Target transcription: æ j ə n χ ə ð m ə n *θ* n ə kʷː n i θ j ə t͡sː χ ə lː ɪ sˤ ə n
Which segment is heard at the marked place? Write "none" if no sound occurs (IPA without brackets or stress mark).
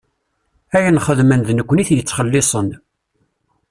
ð